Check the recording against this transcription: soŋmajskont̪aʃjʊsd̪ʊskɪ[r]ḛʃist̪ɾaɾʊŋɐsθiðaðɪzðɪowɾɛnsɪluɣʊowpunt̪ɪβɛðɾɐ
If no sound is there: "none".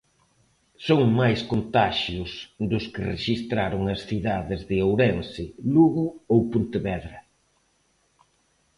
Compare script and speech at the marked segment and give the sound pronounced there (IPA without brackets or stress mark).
r